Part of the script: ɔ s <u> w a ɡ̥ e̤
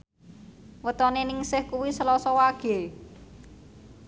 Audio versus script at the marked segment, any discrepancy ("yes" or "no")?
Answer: yes